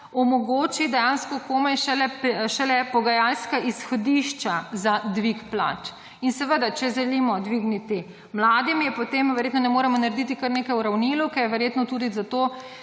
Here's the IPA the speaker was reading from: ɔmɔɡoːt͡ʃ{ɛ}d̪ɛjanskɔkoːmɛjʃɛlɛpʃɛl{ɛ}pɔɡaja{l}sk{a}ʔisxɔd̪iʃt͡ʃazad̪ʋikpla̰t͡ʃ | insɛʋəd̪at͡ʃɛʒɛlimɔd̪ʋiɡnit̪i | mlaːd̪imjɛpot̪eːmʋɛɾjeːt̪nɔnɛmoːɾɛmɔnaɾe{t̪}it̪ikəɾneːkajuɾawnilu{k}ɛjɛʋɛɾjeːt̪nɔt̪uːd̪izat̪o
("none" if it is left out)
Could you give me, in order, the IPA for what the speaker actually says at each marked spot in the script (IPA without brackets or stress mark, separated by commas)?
i, ɛ, l, a, d̪, k